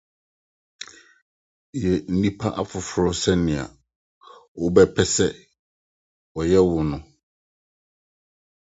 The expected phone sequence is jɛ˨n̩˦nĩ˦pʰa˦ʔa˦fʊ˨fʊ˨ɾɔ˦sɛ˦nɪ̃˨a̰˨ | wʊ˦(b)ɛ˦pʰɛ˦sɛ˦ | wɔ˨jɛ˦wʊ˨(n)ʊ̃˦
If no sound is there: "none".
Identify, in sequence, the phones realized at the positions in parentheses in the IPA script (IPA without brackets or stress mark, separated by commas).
b, n